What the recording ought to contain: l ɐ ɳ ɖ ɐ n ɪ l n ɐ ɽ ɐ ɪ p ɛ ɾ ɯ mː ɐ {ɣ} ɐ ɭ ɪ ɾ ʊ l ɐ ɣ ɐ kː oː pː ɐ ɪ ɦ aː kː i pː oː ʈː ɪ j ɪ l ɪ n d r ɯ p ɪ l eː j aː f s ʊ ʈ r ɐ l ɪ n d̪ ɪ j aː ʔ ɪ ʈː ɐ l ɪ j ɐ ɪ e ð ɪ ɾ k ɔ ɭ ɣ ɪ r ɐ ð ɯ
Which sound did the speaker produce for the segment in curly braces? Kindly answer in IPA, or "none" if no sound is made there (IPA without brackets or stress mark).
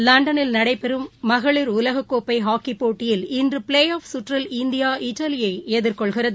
ɣ